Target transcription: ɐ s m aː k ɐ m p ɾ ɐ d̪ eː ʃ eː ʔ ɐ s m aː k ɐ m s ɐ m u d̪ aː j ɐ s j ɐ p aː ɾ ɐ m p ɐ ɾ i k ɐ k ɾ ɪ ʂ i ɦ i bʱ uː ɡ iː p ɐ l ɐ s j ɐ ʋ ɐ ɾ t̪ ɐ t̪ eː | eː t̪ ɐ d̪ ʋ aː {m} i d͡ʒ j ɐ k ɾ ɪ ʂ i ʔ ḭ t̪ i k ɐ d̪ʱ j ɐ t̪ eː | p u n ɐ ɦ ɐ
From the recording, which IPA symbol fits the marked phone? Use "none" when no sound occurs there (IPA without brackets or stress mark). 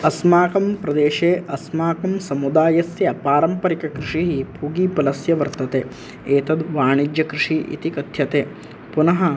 ɳ